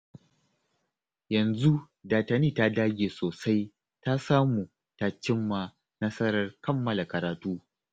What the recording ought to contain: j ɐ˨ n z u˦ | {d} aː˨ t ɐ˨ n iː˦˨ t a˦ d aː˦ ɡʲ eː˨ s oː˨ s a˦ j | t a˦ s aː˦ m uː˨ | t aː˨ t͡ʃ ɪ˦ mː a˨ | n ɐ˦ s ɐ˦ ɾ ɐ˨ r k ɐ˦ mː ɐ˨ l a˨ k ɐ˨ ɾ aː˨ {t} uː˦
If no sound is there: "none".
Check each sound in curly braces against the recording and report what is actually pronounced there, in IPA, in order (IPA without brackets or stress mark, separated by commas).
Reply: d, t